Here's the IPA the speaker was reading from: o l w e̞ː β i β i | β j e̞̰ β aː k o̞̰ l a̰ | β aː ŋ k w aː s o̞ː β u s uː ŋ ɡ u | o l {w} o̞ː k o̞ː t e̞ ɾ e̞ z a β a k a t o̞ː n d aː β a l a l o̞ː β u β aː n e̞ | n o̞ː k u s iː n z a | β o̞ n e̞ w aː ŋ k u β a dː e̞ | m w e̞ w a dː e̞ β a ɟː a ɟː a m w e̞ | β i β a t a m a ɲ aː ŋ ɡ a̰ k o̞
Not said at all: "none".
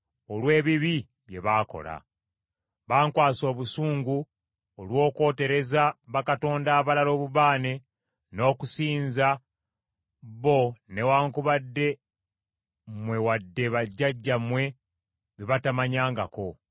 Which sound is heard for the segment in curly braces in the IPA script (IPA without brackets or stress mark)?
w